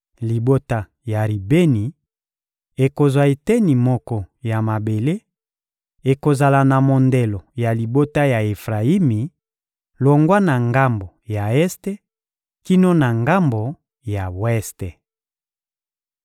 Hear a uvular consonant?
yes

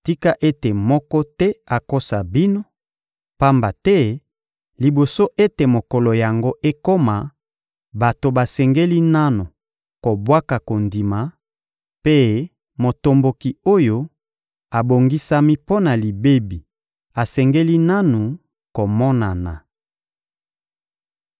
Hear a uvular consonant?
no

